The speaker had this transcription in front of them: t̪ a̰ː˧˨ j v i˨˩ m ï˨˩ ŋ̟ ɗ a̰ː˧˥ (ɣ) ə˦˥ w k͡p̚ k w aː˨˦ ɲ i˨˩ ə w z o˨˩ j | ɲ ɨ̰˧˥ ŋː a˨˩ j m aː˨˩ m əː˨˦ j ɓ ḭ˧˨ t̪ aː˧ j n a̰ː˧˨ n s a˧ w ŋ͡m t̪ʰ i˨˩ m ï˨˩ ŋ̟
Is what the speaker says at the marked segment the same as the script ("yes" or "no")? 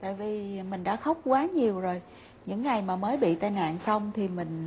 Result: no